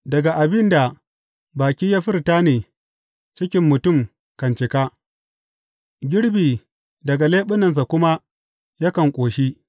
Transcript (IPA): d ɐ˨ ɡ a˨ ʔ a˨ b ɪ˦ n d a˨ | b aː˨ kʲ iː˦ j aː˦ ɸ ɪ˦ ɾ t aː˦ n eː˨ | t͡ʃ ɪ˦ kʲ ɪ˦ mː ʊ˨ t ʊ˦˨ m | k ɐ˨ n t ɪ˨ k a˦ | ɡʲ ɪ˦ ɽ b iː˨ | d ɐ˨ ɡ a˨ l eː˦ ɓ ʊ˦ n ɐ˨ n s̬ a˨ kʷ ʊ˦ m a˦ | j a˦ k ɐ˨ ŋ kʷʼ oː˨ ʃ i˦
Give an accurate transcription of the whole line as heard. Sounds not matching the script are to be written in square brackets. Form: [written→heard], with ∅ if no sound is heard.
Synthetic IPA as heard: d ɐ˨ ɡ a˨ ʔ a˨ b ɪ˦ n d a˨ | b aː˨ kʲ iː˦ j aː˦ ɸ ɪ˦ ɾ t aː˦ n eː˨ | t͡ʃ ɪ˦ kʲ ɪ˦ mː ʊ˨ t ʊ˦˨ m | k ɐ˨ n [t→t͡ʃ] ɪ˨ k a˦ | ɡʲ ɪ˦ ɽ b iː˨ | d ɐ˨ ɡ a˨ l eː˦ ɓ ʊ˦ n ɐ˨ n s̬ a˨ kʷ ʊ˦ m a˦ | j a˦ k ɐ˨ ŋ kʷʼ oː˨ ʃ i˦